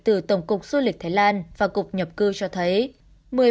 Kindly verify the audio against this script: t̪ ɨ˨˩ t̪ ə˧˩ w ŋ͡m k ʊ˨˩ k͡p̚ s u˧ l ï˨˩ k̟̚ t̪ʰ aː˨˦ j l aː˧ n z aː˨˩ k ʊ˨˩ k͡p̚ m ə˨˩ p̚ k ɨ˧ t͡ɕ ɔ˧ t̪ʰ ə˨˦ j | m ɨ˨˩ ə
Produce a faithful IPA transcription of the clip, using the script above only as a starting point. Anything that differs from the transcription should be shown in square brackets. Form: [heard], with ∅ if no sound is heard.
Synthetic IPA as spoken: t̪ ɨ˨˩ t̪ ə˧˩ w ŋ͡m k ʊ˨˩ k͡p̚ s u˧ l ï˨˩ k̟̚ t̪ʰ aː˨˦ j l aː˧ n [v] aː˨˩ k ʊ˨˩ k͡p̚ [ɲ] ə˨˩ p̚ k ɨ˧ t͡ɕ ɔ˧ t̪ʰ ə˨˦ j | m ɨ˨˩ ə